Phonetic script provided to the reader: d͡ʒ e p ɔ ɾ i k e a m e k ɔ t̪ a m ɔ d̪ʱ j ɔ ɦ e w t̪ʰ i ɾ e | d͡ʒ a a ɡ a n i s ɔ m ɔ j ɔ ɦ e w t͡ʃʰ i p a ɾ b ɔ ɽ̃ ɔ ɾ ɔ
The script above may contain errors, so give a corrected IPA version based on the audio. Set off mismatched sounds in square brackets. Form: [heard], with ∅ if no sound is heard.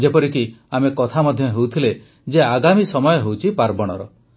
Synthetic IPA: d͡ʒ e p ɔ ɾ i k [i] a m e k ɔ [t̪ʰ] a m ɔ d̪ʱ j ɔ ɦ e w t̪ʰ i [l] e | d͡ʒ [e] a ɡ a [m] i s ɔ m ɔ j ɔ ɦ e w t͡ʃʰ i p a ɾ b ɔ ɽ̃ ɔ ɾ ɔ